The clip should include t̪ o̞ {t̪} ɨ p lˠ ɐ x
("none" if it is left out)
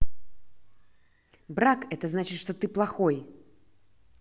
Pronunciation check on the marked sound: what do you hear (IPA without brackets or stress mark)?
t̪